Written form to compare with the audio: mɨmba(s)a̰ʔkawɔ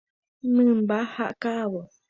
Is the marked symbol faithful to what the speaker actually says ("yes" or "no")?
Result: no